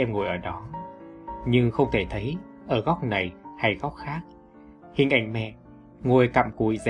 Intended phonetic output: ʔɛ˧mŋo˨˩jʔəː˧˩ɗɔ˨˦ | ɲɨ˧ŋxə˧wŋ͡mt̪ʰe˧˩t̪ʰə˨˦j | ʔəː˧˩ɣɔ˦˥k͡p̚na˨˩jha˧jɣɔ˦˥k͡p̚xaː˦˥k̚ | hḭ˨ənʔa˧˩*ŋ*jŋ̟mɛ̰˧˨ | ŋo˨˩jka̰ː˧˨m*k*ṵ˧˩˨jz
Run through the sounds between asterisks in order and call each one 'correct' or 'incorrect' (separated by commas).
incorrect, correct